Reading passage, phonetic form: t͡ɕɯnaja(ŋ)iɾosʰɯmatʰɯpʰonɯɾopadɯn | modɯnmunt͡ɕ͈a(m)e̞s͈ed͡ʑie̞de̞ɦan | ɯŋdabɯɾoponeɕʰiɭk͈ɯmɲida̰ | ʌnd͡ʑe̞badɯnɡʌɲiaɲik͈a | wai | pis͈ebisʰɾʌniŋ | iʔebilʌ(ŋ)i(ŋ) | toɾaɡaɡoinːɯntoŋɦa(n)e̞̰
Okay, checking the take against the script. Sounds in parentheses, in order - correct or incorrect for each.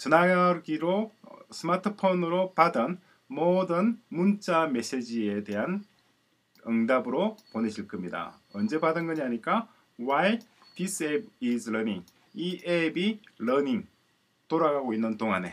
incorrect: ɡ, correct, incorrect: n, correct, correct

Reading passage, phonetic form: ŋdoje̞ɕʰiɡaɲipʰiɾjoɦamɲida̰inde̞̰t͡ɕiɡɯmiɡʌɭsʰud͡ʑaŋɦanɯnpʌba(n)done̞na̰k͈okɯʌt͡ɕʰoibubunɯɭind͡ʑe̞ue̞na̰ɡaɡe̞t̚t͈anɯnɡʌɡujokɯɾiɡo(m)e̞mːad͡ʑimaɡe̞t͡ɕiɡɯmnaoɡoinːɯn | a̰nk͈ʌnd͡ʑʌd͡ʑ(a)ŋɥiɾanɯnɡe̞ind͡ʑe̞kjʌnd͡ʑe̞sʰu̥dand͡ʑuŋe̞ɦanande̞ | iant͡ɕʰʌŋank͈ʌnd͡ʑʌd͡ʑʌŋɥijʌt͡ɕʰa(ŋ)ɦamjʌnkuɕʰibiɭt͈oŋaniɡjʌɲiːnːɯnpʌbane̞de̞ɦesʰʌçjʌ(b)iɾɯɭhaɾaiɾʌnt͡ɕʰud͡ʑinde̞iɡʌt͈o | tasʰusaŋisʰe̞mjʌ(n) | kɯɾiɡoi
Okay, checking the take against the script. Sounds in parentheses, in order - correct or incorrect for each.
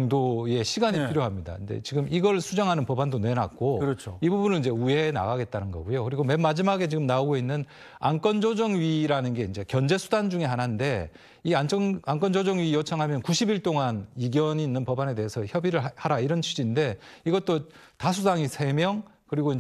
correct, correct, incorrect: ʌ, correct, correct, incorrect: ŋ

